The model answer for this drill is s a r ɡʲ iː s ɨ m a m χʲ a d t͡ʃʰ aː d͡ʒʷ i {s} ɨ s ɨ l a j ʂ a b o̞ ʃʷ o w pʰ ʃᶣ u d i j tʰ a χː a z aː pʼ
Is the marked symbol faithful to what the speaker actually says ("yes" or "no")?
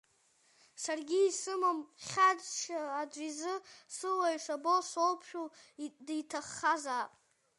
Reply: no